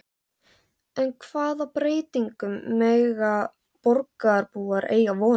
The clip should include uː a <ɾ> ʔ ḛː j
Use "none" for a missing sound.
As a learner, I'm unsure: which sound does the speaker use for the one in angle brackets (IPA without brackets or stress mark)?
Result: ɾ